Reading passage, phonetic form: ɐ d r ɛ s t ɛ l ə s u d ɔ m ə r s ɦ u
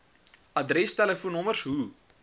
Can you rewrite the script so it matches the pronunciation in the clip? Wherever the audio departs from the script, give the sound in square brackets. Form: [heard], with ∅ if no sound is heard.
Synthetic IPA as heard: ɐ d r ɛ s t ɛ l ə [f] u [n] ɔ m ə r s ɦ u